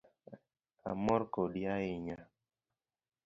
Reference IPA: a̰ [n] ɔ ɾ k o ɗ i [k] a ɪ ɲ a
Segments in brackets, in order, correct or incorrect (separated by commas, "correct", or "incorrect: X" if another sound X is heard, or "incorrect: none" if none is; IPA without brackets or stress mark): incorrect: m, incorrect: none